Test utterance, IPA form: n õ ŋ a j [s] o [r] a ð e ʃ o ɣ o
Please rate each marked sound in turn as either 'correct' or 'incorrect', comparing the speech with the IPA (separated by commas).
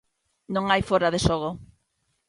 incorrect, incorrect